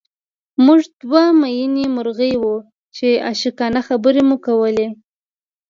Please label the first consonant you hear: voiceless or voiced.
voiced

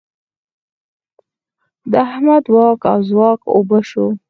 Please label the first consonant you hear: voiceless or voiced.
voiced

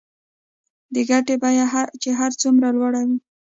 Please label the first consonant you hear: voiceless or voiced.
voiced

